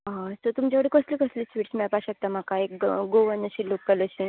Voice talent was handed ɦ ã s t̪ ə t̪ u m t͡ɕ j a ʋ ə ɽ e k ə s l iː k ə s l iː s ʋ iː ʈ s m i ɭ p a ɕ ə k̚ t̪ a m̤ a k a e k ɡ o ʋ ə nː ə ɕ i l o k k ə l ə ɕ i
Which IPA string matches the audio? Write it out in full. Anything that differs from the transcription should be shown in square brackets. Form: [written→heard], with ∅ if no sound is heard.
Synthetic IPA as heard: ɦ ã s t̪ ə t̪ u m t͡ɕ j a ʋ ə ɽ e k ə s l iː k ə s l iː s ʋ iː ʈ s m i ɭ p a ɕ ə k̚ t̪ a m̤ a k a e k ɡ o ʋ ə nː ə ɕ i l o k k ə l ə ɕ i